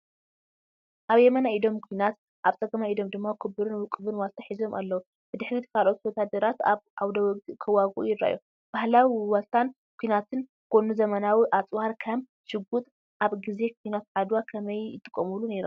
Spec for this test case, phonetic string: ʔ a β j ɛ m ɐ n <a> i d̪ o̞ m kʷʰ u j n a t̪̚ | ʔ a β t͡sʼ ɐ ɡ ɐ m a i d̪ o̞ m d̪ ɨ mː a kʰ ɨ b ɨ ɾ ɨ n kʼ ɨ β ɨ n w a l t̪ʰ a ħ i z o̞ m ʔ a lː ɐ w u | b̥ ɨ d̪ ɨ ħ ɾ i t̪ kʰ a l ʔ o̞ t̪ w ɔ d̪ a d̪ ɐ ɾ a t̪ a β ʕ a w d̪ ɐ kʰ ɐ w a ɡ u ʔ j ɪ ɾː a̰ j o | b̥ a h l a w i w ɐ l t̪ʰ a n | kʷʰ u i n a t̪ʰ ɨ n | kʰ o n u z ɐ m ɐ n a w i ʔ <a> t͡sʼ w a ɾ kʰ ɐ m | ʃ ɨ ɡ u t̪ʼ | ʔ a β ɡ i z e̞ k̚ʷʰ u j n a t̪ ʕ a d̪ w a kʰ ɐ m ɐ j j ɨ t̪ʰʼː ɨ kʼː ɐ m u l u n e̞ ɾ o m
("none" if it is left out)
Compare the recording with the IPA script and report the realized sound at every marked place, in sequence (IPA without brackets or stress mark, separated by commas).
a, a